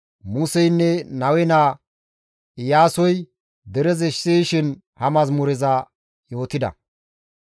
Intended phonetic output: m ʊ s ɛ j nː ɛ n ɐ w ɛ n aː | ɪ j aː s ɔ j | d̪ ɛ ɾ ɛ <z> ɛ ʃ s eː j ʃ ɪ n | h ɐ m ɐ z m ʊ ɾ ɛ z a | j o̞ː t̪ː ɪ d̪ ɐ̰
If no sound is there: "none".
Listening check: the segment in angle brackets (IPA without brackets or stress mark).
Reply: z